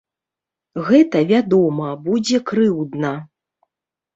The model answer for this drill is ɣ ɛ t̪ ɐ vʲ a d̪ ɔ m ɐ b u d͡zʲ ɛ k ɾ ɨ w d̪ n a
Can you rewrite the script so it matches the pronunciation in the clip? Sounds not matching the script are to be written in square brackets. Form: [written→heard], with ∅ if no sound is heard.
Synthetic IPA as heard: ɣ ɛ t̪ ɐ vʲ a d̪ ɔ m ɐ b u d͡zʲ ɛ k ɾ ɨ w d̪ n [a→ɐ]